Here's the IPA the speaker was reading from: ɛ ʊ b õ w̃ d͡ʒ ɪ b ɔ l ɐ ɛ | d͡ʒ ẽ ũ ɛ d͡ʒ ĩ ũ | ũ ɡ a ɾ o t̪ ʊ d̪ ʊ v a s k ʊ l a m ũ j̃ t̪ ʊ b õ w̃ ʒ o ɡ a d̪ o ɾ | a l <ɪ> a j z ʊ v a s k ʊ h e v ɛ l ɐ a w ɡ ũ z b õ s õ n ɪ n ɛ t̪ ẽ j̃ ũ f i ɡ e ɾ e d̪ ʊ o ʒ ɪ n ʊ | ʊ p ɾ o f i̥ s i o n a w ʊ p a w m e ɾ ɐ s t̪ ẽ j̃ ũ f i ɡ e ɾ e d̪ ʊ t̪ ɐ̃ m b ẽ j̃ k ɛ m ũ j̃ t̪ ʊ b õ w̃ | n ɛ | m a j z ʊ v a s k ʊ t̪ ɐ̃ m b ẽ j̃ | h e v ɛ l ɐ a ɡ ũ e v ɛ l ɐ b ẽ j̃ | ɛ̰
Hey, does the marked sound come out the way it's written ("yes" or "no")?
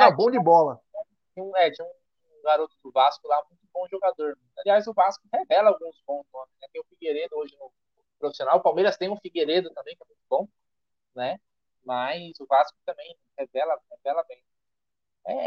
no